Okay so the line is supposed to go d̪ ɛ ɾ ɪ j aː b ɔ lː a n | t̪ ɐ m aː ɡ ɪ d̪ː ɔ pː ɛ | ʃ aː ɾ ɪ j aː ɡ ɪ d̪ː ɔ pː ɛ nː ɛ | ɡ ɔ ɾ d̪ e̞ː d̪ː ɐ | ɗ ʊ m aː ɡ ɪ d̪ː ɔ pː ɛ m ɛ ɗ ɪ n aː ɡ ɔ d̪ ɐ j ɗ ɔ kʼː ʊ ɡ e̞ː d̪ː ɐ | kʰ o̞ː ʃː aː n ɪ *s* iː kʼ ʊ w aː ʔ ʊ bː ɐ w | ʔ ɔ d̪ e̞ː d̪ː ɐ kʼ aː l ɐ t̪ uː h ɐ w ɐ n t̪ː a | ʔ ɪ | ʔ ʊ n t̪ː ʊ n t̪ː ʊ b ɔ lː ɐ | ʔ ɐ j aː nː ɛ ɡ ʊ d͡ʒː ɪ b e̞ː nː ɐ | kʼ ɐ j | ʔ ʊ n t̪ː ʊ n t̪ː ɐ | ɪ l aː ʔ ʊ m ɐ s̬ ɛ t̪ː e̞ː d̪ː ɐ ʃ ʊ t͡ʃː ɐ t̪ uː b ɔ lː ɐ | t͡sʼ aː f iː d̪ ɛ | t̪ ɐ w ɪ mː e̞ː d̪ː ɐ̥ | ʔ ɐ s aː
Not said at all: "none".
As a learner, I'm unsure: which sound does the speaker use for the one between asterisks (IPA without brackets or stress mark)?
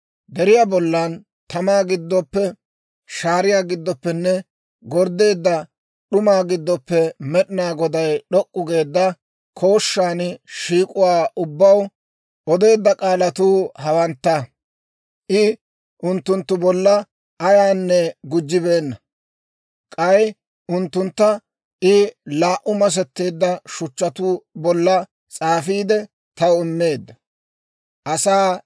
ʃ